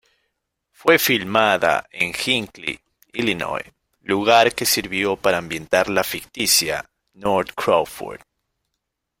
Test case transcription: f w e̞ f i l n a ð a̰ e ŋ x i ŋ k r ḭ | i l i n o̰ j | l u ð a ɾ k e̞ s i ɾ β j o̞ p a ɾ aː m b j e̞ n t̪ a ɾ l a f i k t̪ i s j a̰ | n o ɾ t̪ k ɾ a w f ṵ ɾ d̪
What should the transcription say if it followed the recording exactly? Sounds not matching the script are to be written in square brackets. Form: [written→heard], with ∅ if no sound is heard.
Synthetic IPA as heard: f w e̞ f i l [n→m] a ð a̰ e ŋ x i ŋ k [r→l] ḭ | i l i n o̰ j | l u [ð→ɣ] a ɾ k e̞ s i ɾ β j o̞ p a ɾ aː m b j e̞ n t̪ a ɾ l a f i k t̪ i s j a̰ | n o ɾ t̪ k ɾ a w f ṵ ɾ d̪